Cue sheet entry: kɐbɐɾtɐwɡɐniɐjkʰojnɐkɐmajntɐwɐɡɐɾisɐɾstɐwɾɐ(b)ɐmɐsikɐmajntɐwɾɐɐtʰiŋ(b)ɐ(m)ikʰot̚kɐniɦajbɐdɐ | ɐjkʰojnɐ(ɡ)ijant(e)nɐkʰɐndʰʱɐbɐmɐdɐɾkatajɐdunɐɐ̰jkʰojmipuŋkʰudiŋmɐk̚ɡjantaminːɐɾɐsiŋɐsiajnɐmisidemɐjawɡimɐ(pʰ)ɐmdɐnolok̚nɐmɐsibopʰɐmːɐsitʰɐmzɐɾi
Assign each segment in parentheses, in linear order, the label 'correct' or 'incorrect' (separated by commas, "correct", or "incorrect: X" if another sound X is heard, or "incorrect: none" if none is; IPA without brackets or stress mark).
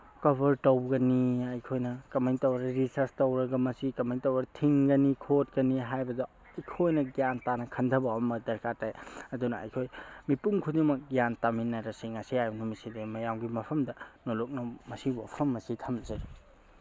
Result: incorrect: ɡ, incorrect: ɡ, incorrect: n, correct, incorrect: a, correct